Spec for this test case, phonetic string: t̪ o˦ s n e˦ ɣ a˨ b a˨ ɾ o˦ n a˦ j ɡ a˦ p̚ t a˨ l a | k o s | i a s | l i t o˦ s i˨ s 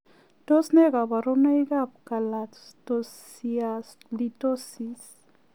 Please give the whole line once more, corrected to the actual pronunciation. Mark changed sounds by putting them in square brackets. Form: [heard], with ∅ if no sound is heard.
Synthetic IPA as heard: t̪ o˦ s n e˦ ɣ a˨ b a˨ ɾ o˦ n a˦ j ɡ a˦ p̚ [k] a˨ l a | [t] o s | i a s | l i t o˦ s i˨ s